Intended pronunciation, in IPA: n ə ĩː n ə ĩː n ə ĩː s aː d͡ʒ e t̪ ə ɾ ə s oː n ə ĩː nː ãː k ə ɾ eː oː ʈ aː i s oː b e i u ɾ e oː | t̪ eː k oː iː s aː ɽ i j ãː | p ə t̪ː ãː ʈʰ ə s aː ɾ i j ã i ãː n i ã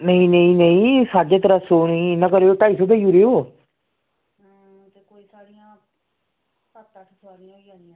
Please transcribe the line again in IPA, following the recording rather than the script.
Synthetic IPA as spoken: n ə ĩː n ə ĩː n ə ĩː s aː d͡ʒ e t̪ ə ɾ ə s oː n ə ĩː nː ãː k ə ɾ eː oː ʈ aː i s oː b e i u ɾ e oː | t̪ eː k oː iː s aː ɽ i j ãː | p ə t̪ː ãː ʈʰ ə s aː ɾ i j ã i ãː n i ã